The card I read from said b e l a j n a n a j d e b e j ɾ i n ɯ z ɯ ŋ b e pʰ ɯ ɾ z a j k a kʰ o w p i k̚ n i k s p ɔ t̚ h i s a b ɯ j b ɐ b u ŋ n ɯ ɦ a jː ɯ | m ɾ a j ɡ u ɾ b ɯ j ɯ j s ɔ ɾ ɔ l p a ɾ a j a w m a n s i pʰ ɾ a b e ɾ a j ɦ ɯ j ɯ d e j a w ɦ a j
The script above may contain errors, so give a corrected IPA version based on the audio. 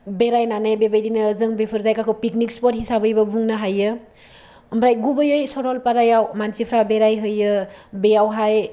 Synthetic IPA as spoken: b e ɾ a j n a n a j b e b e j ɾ i n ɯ z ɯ ŋ b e pʰ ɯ ɾ z a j k a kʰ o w p i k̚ n i k s p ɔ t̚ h i s a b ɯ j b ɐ b u ŋ n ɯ ɦ a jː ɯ | m ɾ a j ɡ u b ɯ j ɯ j s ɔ ɾ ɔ l p a ɾ a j a w m a n s i pʰ ɾ a b e ɾ a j ɦ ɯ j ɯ b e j a w ɦ a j